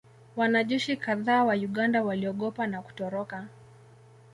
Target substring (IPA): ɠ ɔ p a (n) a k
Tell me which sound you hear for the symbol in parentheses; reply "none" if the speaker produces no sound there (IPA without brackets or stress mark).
n